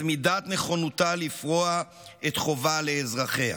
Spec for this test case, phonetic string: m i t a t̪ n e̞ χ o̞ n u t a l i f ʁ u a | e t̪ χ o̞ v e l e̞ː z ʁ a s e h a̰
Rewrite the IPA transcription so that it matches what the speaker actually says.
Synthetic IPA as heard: m i d a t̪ n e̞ χ o̞ n u t a l i f ʁ o a | e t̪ χ o̞ v a l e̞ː z ʁ a χ e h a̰